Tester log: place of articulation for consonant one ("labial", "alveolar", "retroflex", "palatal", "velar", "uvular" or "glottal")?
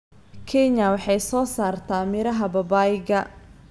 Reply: velar